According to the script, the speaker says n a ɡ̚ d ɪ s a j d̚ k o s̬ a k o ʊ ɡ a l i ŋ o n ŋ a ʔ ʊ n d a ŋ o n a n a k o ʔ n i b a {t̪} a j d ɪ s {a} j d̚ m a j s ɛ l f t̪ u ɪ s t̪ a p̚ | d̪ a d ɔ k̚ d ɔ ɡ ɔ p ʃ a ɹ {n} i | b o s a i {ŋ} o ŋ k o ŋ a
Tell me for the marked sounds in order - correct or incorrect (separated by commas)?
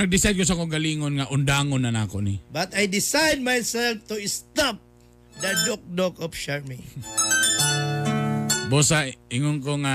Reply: correct, correct, incorrect, correct